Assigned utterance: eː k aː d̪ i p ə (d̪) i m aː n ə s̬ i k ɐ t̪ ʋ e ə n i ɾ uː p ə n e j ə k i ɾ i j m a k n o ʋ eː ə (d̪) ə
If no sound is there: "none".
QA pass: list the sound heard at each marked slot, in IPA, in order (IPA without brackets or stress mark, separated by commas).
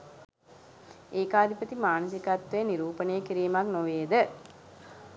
t̪, d̪